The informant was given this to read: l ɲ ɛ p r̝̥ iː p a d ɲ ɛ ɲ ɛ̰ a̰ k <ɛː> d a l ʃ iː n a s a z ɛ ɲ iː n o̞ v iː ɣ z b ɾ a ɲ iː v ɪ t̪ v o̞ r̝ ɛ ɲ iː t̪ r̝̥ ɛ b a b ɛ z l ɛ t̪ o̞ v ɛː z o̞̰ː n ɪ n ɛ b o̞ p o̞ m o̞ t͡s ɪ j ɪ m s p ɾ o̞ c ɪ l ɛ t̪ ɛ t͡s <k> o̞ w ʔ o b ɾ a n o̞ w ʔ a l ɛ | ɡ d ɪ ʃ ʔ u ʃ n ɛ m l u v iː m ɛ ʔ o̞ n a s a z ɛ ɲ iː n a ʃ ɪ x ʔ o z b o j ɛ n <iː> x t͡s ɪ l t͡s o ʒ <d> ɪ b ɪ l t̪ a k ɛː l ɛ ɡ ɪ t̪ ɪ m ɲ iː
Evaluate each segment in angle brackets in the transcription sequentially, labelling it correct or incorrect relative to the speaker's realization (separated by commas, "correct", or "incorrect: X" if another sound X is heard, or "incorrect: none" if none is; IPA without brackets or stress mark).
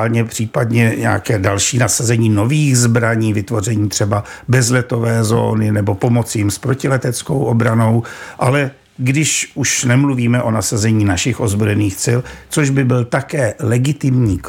correct, correct, correct, incorrect: b